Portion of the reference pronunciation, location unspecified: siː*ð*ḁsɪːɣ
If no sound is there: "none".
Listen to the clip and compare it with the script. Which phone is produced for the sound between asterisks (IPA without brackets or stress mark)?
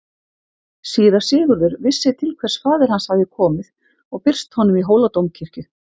ð